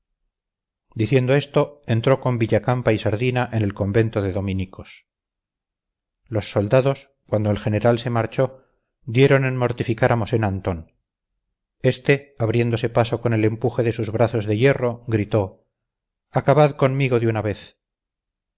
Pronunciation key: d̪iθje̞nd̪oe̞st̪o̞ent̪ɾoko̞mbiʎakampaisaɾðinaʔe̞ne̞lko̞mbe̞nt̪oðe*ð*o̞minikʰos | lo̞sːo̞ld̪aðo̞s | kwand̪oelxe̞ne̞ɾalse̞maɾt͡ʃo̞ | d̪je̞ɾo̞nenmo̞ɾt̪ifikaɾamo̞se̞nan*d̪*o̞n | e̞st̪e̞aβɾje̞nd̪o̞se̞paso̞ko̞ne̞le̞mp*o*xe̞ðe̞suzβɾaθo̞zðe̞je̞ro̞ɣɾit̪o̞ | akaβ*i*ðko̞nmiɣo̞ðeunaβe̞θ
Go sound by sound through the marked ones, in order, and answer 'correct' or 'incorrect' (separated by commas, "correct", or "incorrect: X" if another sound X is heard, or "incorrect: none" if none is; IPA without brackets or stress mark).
correct, incorrect: t̪, incorrect: u, incorrect: a